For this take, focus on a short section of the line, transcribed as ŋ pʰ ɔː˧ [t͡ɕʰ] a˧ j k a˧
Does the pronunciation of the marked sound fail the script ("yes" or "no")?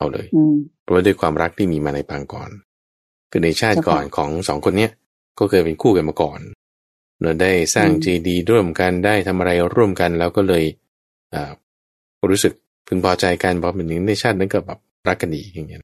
yes